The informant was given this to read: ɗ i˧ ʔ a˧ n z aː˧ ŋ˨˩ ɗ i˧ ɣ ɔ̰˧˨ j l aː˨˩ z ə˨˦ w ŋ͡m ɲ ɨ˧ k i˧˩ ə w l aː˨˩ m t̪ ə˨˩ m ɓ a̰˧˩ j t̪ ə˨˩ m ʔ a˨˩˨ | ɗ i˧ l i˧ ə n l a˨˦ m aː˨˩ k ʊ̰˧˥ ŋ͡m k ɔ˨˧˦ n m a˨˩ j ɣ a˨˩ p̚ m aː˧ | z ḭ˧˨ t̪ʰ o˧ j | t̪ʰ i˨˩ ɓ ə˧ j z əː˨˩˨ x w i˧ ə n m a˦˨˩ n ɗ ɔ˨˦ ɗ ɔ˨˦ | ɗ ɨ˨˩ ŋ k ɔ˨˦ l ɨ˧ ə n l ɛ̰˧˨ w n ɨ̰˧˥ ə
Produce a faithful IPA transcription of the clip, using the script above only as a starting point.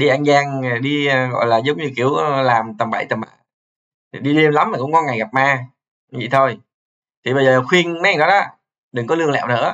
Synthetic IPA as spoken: ɗ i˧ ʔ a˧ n z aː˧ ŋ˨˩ ɗ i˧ ɣ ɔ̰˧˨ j l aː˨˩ z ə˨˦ w ŋ͡m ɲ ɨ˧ k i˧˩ ə w l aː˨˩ m t̪ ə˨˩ m ɓ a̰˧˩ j t̪ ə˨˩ m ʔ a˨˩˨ | ɗ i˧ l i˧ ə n l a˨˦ m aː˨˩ k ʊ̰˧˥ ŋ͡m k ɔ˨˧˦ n ŋ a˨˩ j ɣ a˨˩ p̚ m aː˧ | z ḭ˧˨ t̪ʰ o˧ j | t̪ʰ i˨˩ ɓ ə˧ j z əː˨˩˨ x w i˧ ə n m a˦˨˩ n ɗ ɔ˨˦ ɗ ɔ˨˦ | ɗ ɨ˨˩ ŋ k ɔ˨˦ l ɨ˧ ə ŋ l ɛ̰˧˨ w n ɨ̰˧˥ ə